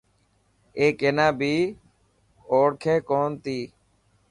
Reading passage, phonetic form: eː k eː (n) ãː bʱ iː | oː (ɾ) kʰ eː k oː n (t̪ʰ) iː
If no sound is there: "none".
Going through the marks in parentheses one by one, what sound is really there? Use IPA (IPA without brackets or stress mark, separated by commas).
n, ɽ, t̪